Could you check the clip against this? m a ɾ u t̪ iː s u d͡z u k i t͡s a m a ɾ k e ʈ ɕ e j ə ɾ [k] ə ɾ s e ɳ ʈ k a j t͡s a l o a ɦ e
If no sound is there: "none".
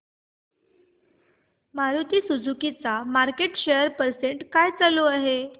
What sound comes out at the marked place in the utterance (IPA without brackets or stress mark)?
p